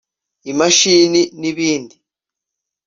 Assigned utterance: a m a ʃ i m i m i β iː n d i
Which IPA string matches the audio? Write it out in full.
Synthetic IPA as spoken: i m a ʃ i n i n i β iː n d i

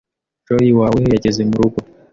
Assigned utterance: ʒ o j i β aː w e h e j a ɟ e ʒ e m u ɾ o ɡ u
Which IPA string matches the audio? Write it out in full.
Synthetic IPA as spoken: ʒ o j i w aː w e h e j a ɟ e z e m u ɾ u ɡ o

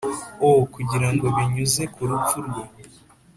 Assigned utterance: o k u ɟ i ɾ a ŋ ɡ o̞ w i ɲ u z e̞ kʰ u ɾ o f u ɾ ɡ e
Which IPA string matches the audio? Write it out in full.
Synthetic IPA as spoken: o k u ɟ i ɾ a ŋ ɡ o̞ β i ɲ u z e̞ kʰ u ɾ u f u ɾ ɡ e

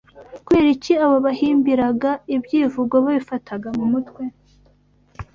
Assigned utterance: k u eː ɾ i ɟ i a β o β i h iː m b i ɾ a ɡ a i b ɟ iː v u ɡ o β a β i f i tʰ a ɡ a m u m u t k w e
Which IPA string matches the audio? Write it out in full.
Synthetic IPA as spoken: k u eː ɾ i c i a β o β a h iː m b i ɾ a ɡ a i b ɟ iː v u ɡ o β a β i f a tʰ a ɡ a m u m u t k w e

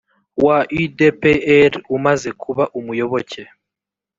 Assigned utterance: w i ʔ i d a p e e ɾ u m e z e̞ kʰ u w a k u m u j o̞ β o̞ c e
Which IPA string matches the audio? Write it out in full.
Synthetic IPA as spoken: w a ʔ i d e p e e ɾ u m a z e̞ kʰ u β a ʔ u m u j o̞ β o̞ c e

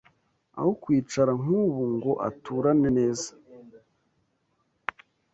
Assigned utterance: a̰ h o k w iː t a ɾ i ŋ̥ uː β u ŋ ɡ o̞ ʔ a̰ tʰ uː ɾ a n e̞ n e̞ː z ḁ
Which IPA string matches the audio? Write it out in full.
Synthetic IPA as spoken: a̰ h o k w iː t͡ʃ a ɾ a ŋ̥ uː β u ŋ ɡ o̞ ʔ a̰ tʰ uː ɾ a n e̞ n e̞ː z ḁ

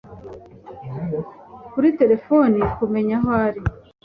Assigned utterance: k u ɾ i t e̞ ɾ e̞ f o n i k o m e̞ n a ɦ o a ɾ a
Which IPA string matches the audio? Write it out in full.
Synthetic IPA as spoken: k u ɾ i t e̞ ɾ e̞ f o n i k u m e̞ ɲ a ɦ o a ɾ i

